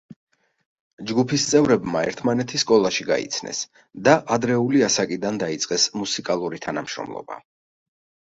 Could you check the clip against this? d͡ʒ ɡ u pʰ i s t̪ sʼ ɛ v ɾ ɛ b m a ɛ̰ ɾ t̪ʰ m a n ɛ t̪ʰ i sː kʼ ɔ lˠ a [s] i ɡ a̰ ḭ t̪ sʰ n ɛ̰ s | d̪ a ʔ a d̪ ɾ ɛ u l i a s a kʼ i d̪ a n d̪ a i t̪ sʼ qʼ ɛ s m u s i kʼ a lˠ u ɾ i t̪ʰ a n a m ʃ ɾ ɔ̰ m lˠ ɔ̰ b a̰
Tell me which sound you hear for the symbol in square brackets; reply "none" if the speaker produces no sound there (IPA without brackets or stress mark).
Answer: ʃ